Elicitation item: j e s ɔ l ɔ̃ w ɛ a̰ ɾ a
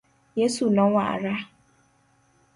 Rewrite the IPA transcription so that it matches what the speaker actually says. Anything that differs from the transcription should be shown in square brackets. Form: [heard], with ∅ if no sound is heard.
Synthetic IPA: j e s [u] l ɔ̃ w [a] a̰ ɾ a